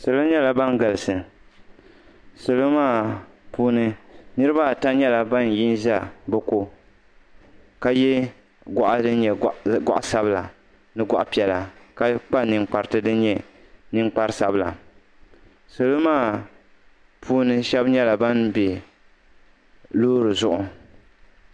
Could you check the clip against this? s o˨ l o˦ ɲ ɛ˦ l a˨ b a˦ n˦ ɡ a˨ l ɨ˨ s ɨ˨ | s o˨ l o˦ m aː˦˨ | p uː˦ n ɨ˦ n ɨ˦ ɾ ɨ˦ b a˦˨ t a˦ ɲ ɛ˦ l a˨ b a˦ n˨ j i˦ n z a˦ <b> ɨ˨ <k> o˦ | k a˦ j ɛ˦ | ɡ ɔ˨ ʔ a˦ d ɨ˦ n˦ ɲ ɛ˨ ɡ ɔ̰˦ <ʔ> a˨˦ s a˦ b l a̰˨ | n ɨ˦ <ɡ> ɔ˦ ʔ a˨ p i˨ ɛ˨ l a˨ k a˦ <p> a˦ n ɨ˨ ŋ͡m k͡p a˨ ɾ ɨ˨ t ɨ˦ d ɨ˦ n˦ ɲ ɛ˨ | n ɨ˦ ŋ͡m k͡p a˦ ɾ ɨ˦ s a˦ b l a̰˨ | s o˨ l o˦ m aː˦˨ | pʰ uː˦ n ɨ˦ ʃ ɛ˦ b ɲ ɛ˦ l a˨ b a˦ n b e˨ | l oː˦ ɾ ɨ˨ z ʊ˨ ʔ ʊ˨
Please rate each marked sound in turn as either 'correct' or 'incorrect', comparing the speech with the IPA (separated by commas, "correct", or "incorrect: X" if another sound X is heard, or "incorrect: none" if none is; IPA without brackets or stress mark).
correct, correct, correct, correct, incorrect: k͡p